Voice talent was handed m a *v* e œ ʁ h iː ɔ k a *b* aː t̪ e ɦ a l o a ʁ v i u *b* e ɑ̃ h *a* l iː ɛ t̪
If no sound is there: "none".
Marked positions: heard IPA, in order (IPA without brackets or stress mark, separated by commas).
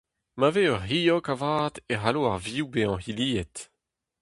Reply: v, v, b, i